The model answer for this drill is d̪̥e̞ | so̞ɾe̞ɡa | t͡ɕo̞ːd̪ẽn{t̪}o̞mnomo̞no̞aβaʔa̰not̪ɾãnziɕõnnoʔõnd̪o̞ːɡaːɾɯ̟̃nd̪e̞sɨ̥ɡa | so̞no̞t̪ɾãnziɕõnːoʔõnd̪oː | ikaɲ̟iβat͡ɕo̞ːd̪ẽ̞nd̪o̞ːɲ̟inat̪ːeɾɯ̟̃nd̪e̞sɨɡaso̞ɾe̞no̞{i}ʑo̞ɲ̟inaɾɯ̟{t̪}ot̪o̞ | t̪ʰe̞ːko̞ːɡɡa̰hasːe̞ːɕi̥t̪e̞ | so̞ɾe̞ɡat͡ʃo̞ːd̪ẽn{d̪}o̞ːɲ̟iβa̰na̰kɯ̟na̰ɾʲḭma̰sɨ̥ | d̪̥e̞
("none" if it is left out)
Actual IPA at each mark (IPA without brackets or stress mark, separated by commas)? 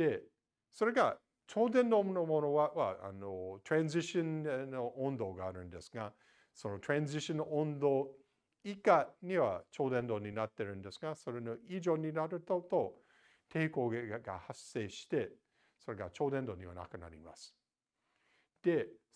d̪, i, t̪, d̪